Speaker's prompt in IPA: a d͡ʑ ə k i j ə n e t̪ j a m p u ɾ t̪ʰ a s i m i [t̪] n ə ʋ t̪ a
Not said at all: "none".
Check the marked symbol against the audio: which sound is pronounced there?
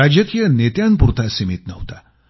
t̪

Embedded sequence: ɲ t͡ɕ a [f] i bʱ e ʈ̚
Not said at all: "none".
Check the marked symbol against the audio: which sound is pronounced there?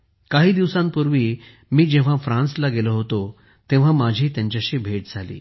ɕ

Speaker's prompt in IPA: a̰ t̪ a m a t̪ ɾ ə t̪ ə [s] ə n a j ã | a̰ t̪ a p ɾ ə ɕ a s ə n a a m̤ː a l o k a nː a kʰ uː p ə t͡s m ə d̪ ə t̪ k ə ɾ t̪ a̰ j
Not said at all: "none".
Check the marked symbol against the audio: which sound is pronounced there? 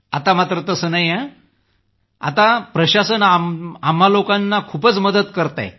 s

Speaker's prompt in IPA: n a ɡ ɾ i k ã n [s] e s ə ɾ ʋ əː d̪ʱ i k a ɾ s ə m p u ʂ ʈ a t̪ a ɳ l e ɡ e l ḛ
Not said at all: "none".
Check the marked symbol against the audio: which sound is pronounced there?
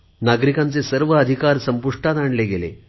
t͡s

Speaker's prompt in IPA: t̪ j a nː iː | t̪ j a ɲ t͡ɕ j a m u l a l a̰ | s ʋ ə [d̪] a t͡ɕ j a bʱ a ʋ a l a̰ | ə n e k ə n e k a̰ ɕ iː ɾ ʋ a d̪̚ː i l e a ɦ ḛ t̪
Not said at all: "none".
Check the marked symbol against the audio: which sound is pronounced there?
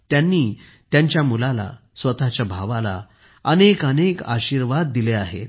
t̪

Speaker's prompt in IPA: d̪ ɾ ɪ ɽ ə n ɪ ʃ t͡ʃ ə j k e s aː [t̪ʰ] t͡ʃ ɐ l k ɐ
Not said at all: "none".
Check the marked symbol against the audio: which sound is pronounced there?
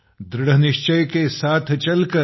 t̪ʰ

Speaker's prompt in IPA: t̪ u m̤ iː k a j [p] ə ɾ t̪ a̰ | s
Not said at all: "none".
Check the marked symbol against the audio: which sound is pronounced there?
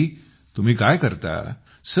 k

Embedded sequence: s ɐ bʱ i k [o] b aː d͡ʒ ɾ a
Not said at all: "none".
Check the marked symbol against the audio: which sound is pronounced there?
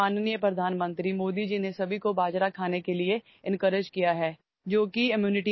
o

